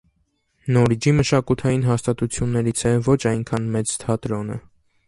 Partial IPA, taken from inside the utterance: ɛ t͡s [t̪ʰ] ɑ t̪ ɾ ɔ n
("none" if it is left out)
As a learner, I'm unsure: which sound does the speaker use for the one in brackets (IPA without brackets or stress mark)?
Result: t̪ʰ